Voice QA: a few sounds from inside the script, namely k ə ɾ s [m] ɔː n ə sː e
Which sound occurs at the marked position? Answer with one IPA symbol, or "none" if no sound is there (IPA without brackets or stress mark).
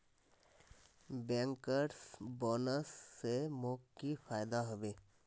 b